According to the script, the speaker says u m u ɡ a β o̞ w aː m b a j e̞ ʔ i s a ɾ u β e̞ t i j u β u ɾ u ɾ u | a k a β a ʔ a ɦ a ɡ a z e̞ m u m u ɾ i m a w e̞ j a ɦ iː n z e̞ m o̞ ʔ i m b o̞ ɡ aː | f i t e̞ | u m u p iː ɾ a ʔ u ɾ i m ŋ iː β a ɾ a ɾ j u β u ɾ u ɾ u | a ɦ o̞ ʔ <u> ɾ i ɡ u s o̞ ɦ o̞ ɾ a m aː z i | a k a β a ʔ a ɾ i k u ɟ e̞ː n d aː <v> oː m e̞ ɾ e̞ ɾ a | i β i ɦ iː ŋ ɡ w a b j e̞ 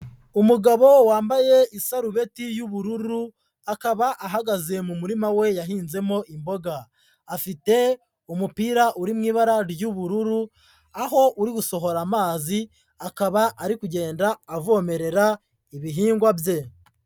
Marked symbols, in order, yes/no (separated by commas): yes, yes